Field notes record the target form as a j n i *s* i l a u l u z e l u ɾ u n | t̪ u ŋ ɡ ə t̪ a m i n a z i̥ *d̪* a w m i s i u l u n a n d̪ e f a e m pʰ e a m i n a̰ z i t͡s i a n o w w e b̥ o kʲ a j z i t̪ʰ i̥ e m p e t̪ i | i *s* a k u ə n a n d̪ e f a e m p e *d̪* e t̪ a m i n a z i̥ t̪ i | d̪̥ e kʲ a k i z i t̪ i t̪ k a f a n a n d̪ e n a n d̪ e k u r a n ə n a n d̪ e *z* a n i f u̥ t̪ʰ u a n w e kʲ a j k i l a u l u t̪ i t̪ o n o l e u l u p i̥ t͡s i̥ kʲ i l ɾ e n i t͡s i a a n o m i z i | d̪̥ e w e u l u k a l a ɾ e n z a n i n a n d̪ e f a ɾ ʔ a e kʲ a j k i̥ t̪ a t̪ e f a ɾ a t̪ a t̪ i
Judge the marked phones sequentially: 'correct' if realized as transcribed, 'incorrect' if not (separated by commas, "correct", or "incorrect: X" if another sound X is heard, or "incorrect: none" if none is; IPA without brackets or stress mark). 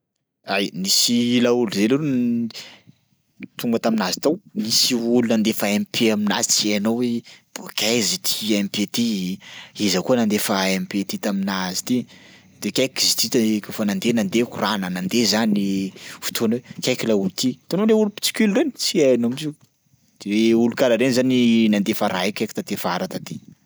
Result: correct, incorrect: t̪, incorrect: z, incorrect: t̪, correct